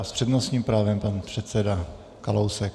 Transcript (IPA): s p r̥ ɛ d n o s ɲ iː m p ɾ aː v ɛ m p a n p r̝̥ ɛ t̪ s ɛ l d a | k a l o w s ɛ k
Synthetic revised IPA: s p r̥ ɛ d n o s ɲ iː m p ɾ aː v ɛ m p a n p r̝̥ ɛ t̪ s ɛ d a | k a l o w s ɛ k